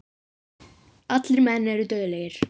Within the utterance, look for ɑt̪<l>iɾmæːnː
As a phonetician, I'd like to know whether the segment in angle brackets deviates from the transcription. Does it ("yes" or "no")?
no